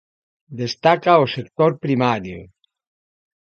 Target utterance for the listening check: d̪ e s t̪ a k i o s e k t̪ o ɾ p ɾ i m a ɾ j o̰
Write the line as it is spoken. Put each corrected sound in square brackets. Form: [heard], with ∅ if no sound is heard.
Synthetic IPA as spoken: d̪ e s t̪ a k [a] o s e k t̪ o ɾ p ɾ i m a ɾ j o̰